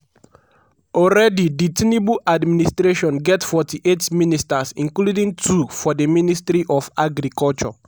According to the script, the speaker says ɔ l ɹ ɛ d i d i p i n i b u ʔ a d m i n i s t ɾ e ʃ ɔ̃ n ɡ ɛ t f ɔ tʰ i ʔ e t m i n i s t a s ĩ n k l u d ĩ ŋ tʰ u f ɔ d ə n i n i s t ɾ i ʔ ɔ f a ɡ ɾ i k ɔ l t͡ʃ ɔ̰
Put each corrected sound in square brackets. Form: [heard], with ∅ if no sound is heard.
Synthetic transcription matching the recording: ɔ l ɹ ɛ d i d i [t] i n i b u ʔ a d m i n i s t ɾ e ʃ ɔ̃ n ɡ ɛ t f ɔ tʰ i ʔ e t m i n i s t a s ĩ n k l u d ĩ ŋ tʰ u f ɔ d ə [m] i n i s t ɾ i ʔ ɔ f a ɡ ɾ i k ɔ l t͡ʃ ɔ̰